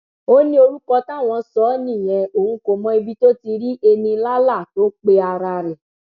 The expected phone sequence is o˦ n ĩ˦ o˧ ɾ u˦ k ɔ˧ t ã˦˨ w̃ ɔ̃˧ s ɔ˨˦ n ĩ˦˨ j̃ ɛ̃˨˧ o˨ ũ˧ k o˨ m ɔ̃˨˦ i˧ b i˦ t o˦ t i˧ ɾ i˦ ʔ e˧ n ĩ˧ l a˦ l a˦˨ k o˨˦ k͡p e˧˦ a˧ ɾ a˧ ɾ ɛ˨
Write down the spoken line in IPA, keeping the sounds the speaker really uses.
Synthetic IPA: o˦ n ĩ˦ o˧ ɾ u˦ k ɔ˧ t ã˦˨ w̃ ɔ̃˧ s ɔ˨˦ n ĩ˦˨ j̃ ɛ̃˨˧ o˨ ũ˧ k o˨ m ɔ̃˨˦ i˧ b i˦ t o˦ t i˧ ɾ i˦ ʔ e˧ n ĩ˧ l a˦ l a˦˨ t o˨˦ k͡p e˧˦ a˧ ɾ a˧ ɾ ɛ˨